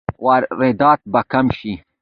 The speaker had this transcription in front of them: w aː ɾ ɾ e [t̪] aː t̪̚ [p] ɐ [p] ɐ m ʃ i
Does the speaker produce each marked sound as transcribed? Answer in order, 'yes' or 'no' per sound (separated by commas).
no, no, no